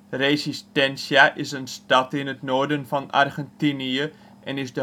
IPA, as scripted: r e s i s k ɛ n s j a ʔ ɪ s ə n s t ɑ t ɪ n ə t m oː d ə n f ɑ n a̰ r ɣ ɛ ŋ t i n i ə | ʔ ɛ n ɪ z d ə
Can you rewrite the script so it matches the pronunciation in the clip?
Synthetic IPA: r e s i s t ɛ n s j a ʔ ɪ s ə n s t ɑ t ɪ n ə t n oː d ə n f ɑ n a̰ r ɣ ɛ n t i n i ə | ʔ ɛ n ɪ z d ə